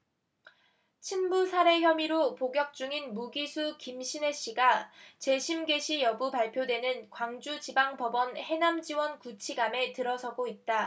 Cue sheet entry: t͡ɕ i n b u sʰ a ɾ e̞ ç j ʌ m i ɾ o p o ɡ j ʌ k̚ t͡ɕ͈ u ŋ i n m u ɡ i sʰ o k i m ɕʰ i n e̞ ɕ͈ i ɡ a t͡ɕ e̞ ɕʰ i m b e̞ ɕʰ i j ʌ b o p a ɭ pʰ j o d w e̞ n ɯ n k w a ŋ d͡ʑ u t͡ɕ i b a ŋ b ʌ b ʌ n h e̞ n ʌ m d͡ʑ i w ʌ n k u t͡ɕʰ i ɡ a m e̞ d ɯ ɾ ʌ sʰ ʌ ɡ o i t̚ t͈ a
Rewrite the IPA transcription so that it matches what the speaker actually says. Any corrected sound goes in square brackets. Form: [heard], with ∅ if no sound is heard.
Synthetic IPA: [t͡ɕʰ] i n b u sʰ a ɾ e̞ ç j ʌ m i ɾ o p o ɡ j ʌ k̚ t͡ɕ͈ u ŋ i n m u ɡ i sʰ [u] k i m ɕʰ i n e̞ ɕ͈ i ɡ a t͡ɕ e̞ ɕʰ i m [ɡ] e̞ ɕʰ i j ʌ b [u] p a ɭ pʰ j o d w e̞ n ɯ n k w a ŋ d͡ʑ u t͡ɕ i b a ŋ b ʌ b ʌ n h e̞ n [a] m d͡ʑ i w ʌ n k u t͡ɕʰ i ɡ a m e̞ [t] ɯ ɾ ʌ sʰ ʌ ɡ o i t̚ t͈ a

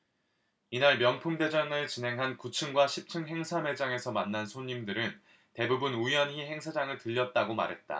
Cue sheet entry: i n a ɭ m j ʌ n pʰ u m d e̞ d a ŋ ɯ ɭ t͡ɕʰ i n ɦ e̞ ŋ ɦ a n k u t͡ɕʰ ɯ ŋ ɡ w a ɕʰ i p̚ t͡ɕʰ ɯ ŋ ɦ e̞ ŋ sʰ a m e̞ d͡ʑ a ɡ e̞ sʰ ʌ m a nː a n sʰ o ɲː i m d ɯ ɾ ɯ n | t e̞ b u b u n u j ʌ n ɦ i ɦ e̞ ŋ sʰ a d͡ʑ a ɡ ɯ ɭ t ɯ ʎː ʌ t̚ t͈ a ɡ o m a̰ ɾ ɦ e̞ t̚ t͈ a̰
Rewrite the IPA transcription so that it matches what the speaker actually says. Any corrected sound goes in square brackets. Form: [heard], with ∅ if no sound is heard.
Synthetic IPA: i n a ɭ m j ʌ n pʰ u m d e̞ [d͡ʑ] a ŋ ɯ ɭ [t͡ɕ] i n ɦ e̞ ŋ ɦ a n k u t͡ɕʰ ɯ ŋ ɡ w a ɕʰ i p̚ t͡ɕʰ ɯ ŋ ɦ e̞ ŋ sʰ a m e̞ d͡ʑ a [ŋ] e̞ sʰ ʌ m a nː a n sʰ o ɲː i m d ɯ ɾ ɯ n | t e̞ b u b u n u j ʌ n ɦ i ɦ e̞ ŋ sʰ a d͡ʑ a [ŋ] ɯ ɭ t ɯ ʎː ʌ t̚ t͈ a ɡ o m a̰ ɾ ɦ e̞ t̚ t͈ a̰

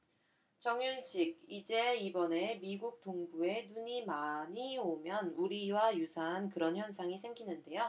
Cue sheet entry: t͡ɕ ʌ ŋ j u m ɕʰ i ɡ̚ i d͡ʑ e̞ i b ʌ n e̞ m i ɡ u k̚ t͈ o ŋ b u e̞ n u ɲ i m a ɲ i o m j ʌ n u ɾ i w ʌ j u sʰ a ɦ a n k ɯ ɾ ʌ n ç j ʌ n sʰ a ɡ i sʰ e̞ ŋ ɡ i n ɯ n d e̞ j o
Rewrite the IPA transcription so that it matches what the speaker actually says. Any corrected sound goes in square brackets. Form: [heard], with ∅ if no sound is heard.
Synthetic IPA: t͡ɕ ʌ ŋ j u [n] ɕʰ i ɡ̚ i d͡ʑ e̞ i b ʌ n e̞ m i ɡ u k̚ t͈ o ŋ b u e̞ n u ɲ i m a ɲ i o m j ʌ n u ɾ i w [a] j u sʰ a ɦ a n k ɯ ɾ ʌ n ç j ʌ n sʰ a [ŋ] i sʰ e̞ ŋ ɡ i n ɯ n d e̞ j o

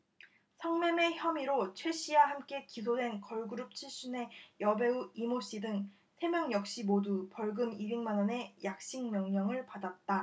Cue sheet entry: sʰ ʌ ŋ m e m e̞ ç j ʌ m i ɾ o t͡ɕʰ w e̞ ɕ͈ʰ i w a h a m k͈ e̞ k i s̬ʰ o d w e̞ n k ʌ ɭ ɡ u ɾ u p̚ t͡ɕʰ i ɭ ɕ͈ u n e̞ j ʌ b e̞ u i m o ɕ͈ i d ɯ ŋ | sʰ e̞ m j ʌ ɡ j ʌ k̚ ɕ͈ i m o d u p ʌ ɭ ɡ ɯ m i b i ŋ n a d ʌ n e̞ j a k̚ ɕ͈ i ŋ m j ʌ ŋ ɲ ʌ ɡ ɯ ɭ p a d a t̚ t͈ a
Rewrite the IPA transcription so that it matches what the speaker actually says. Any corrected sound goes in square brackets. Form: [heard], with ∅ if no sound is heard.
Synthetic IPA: sʰ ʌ ŋ m e m e̞ ç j ʌ m i ɾ o t͡ɕʰ w e̞ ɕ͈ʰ i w a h a m k͈ e̞ k i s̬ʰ o d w e̞ n k ʌ ɭ ɡ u ɾ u p̚ t͡ɕʰ i ɭ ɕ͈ u n e̞ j ʌ b e̞ u i m o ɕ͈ i d ɯ ŋ | sʰ e̞ m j ʌ [ŋ] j ʌ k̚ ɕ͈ i m o d u p ʌ ɭ ɡ ɯ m i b i ŋ [m] a [n] ʌ n e̞ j a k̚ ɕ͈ i ŋ m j ʌ ŋ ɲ ʌ [ŋ] ɯ ɭ p a d a t̚ t͈ a

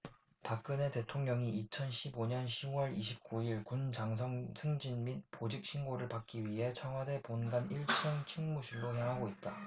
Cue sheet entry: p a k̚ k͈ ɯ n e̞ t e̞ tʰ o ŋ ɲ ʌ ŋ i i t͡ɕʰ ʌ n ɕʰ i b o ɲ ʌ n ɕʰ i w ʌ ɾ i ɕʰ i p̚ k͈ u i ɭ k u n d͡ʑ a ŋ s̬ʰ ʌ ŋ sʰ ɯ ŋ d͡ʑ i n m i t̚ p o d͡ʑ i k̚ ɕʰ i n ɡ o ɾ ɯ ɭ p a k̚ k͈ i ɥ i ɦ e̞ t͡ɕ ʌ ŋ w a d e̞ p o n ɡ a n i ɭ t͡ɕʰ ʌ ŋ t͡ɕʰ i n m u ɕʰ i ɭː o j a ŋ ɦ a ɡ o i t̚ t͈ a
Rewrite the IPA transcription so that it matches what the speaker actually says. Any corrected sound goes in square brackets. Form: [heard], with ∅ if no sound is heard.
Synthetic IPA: p a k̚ k͈ ɯ n e̞ t e̞ tʰ o ŋ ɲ ʌ ŋ i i t͡ɕʰ ʌ n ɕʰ i b o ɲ ʌ n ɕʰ i w ʌ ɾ i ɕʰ i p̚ k͈ u i ɭ k u n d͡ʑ a ŋ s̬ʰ ʌ ŋ sʰ ɯ ŋ d͡ʑ i n m i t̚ p o d͡ʑ i k̚ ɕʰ i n ɡ o ɾ ɯ ɭ p a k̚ k͈ i ɥ i ɦ e̞ [t͡ɕʰ] ʌ ŋ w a d e̞ p o n ɡ a n i ɭ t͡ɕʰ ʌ ŋ t͡ɕʰ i [ŋ] m u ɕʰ i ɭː o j a ŋ ɦ a ɡ o i t̚ t͈ a

